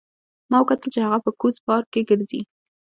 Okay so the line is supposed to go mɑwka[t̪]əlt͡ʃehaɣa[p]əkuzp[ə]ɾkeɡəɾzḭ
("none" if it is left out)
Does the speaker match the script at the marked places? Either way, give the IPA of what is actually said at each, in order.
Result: t̪, p, ɑ

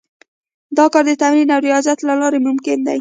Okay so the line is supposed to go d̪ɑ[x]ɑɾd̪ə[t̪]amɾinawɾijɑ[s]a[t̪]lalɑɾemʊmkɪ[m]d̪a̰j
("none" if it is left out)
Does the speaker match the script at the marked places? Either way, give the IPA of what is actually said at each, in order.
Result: k, t̪, z, t̪, n

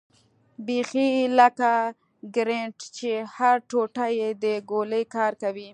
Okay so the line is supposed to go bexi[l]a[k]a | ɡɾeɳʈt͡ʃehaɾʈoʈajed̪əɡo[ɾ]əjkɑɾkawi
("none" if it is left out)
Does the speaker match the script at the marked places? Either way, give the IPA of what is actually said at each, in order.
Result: l, k, l

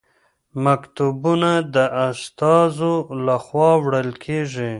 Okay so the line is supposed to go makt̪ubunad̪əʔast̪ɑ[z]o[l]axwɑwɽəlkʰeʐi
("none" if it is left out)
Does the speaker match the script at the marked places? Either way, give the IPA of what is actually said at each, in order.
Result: z, l

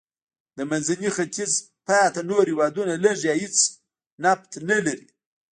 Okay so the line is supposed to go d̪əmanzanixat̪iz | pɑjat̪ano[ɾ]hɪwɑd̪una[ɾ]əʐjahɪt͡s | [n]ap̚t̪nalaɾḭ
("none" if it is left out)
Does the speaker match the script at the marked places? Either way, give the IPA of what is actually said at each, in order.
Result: ɾ, l, n

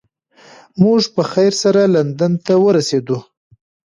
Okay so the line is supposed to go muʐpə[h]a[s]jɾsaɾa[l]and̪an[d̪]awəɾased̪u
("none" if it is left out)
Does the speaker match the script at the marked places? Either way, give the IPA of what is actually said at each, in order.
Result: x, none, l, t̪

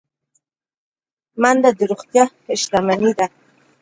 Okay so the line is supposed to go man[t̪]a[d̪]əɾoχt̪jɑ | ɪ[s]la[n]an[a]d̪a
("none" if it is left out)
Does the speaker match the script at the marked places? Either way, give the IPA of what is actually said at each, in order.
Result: d̪, d̪, ʃ, m, i

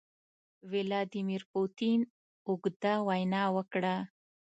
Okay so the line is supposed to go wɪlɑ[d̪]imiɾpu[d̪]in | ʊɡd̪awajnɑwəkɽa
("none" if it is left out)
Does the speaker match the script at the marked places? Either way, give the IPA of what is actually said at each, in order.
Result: d̪, t̪

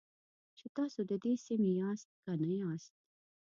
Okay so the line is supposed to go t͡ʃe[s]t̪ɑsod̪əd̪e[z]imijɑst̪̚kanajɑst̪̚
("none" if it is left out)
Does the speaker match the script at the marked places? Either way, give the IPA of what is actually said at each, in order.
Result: none, s

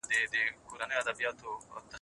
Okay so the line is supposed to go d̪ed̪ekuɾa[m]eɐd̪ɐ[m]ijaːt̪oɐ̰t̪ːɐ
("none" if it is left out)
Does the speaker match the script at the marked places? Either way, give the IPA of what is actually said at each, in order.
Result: n, b

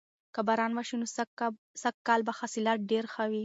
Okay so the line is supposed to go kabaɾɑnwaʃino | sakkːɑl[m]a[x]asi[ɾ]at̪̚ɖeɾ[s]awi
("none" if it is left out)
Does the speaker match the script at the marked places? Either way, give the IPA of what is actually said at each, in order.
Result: b, x, l, x

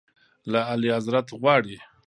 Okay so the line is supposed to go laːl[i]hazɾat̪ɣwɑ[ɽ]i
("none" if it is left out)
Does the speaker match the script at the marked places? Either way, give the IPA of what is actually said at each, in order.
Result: i, ɽ

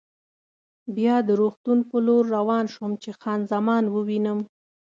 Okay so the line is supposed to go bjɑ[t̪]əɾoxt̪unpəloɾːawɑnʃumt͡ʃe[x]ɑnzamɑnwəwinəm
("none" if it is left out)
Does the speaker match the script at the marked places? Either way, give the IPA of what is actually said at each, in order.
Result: d̪, x

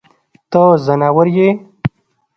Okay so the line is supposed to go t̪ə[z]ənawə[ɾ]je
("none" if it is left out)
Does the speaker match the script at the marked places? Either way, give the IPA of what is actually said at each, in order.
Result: z, ɾ

